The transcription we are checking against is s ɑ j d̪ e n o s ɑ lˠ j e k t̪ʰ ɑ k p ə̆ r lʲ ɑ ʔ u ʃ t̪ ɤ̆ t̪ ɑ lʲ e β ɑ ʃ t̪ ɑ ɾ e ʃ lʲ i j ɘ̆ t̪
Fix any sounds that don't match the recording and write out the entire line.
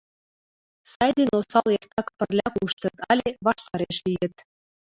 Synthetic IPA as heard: s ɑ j d̪ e n o s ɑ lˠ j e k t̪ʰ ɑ k p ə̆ r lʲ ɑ k u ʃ t̪ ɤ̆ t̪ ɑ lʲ e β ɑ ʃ t̪ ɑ ɾ e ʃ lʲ i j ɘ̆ t̪

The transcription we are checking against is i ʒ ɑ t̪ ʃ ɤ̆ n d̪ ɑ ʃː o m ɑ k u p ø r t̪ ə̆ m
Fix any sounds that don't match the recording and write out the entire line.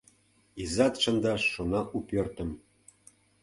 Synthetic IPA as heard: i z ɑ t̪ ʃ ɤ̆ n d̪ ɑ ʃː o n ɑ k u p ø r t̪ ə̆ m

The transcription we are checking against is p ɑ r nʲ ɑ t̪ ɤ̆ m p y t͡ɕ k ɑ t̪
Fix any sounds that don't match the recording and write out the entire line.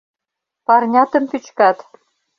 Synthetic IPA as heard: p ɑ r nʲ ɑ t̪ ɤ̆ m p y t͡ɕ k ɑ t̪

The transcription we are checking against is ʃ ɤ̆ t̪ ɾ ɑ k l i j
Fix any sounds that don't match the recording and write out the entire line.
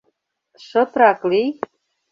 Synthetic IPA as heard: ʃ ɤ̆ t̪ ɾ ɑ k l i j

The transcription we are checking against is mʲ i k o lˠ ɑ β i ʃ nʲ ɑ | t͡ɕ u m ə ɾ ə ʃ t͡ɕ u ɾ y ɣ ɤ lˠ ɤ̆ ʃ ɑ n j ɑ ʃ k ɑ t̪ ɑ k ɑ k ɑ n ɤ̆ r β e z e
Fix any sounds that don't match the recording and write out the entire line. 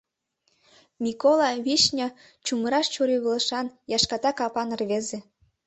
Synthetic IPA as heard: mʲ i k o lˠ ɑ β i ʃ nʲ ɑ | t͡ɕ u m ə ɾ ɑ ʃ t͡ɕ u ɾ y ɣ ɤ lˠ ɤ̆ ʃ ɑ n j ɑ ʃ k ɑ t̪ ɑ k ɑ p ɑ n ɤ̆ r β e z e

